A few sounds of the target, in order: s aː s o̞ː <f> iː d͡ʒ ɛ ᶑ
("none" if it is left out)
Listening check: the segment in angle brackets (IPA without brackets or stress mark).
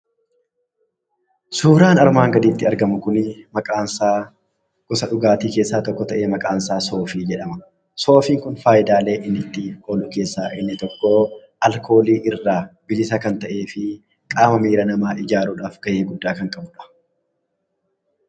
f